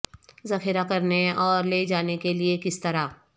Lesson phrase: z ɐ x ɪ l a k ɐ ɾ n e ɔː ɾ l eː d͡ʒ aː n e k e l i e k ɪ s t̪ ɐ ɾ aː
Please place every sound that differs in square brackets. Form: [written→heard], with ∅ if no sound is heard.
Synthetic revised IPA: z ɐ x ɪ [l→ɾ] a k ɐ ɾ n e ɔː ɾ l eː d͡ʒ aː n e k e l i e k ɪ s t̪ ɐ ɾ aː